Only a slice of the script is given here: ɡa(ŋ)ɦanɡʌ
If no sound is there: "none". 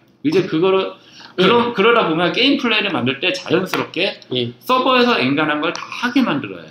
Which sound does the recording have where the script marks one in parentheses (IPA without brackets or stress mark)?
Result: n